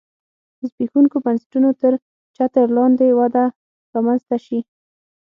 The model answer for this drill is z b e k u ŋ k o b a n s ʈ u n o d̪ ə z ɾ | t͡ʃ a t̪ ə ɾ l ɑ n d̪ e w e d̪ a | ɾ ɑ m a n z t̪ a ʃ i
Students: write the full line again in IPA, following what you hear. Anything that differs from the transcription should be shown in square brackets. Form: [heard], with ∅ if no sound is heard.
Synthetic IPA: z b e [x] u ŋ k o b a n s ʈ u n o [t̪] ə [∅] ɾ | t͡ʃ a t̪ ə ɾ l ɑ n d̪ e w [a] d̪ a | ɾ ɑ m a n z t̪ a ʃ i

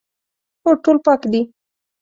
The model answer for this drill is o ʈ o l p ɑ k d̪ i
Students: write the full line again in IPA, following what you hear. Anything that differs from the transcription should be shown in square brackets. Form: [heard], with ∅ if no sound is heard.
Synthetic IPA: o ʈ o l p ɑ k d̪ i

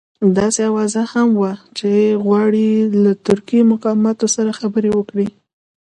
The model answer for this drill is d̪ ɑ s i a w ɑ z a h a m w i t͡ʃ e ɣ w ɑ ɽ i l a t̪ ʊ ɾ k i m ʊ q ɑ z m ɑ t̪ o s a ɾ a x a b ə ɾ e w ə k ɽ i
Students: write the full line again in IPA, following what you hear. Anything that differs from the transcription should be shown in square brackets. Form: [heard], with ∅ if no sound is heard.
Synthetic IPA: d̪ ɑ s [e] a w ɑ z a h a m w [a] t͡ʃ e ɣ w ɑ ɽ i l a t̪ ʊ ɾ k i m ʊ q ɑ [∅] m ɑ t̪ o s a ɾ a x a b ə ɾ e w ə k ɽ i

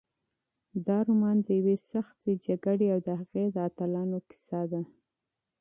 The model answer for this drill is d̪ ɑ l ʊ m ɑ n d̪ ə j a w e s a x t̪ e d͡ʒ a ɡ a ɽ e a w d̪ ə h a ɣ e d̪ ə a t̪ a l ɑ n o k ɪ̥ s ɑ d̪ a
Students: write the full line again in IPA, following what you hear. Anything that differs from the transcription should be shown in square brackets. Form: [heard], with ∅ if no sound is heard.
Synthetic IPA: d̪ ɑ [ɾ] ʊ m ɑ n d̪ ə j a w e s a x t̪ e d͡ʒ a ɡ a ɽ e a w d̪ ə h a ɣ e d̪ ə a t̪ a l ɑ n o k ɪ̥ s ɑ d̪ a

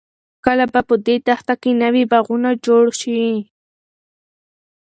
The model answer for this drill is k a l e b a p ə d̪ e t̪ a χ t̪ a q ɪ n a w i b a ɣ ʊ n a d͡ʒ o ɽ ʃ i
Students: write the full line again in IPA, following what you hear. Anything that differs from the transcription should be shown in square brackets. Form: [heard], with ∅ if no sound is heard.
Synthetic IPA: k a l [a] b a p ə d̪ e t̪ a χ t̪ a [k] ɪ n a w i b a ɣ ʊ n a d͡ʒ o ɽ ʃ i

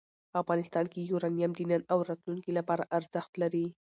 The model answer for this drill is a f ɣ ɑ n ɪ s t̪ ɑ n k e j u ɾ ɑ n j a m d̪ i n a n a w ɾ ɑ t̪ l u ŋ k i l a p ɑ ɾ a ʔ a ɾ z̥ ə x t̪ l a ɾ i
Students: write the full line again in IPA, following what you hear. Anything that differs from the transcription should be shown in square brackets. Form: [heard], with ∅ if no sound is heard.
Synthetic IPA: a f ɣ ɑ n ɪ s t̪ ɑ n k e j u ɾ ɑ n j a m d̪ i n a n a w ɾ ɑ t̪ l u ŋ k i l a p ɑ ɾ a ʔ a ɾ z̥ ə x t̪ l a ɾ i

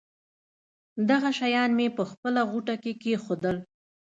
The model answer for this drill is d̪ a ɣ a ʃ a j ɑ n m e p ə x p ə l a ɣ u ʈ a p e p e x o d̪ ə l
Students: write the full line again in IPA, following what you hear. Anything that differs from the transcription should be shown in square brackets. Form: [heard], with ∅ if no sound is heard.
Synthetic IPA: d̪ a ɣ a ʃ a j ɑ n m e p ə x p ə l a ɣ u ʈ a [k] e [k] e x o d̪ ə l

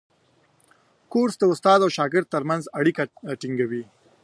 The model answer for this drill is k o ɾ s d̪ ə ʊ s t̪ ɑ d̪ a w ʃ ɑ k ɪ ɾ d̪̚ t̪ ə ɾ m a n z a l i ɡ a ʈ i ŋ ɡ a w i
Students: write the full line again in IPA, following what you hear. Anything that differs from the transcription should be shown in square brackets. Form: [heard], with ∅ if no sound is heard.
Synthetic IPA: k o ɾ s d̪ ə ʊ s t̪ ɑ d̪ a w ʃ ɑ [ɡ] ɪ ɾ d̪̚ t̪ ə ɾ m a n z a [ɽ] i [k] a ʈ i ŋ ɡ a w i

